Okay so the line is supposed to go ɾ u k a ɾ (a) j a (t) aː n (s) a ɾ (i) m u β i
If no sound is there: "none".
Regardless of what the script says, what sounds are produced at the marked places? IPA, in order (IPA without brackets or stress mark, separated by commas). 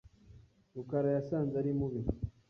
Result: a, s, z, i